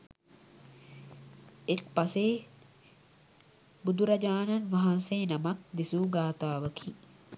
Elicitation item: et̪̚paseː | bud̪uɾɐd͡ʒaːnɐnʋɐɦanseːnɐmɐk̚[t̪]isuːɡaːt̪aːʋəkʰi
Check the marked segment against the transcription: incorrect: d̪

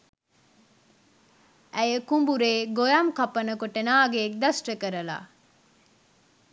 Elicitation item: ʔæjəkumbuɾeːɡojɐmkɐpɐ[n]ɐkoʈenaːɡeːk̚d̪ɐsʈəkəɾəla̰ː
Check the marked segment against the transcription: correct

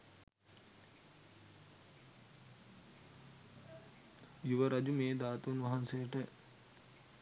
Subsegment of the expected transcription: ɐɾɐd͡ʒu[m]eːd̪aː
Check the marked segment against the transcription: correct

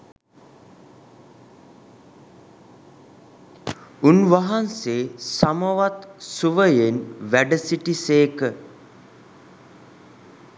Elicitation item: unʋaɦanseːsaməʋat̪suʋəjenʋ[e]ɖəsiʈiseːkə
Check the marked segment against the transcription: incorrect: æ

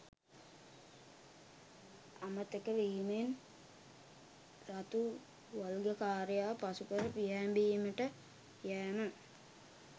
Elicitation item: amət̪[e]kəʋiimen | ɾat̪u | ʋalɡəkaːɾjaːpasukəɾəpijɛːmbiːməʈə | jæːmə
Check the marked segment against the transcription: correct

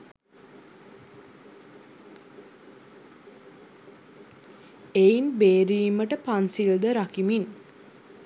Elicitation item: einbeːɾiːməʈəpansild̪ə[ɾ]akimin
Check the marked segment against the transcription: correct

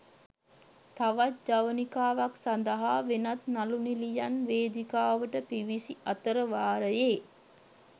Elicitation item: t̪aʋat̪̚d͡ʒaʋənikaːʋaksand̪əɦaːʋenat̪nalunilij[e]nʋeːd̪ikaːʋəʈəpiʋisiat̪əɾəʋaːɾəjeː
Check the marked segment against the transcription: incorrect: a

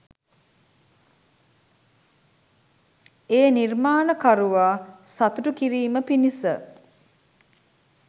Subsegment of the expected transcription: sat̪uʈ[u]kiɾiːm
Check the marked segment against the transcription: correct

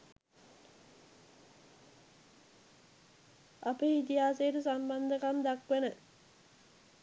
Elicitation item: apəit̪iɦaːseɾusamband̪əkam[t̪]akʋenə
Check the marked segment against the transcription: incorrect: d̪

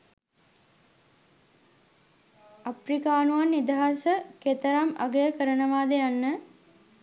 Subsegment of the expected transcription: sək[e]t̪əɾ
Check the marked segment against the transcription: correct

